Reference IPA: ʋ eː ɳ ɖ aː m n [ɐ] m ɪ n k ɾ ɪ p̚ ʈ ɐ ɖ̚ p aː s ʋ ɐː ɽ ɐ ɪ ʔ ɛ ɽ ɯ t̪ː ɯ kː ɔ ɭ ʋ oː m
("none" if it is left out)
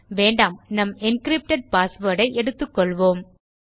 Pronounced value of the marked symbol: ɐ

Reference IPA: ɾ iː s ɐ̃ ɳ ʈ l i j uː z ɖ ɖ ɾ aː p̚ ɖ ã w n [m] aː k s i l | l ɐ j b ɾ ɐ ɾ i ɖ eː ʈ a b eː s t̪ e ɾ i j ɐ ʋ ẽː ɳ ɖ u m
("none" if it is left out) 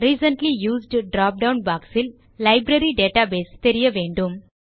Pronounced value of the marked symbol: b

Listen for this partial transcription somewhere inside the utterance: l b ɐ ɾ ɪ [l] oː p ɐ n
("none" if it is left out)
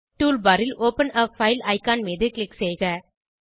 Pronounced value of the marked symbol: l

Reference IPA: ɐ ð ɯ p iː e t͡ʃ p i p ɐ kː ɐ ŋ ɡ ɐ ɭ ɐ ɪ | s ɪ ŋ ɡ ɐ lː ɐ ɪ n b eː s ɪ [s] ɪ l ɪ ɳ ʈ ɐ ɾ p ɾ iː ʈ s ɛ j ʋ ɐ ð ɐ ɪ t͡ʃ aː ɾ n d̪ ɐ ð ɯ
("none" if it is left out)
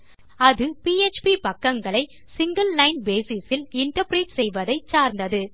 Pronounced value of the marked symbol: s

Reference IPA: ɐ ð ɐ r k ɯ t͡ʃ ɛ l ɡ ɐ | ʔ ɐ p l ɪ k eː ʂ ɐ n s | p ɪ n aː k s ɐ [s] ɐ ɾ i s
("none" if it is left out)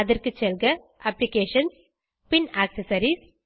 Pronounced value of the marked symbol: s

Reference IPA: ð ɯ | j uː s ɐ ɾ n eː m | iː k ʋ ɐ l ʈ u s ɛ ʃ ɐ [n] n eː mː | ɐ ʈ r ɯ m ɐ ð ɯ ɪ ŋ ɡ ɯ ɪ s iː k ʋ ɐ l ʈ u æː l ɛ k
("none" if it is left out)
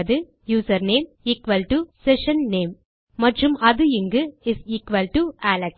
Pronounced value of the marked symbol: n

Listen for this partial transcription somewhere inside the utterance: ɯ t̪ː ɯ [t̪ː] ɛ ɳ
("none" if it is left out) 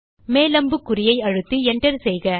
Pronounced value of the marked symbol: none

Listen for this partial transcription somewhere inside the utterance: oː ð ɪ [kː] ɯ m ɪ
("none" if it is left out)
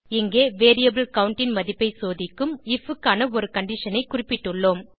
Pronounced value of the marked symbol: kː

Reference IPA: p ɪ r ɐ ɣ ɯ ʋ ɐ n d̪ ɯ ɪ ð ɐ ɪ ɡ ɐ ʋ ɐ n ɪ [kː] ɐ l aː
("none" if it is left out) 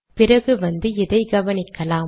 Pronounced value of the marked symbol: kː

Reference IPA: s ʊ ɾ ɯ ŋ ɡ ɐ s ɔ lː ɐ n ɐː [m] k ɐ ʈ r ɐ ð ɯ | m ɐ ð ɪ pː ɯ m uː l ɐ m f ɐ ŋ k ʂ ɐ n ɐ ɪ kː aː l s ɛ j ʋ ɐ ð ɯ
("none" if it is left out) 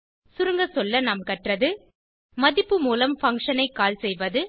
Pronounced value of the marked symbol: m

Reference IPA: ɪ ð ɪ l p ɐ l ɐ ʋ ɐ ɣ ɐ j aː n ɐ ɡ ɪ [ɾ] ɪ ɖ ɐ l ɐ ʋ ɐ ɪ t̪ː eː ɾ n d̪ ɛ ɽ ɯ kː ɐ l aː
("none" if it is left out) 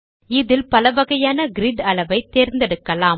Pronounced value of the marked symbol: ɾ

